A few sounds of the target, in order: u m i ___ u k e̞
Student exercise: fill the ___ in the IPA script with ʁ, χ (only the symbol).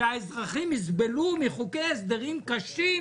χ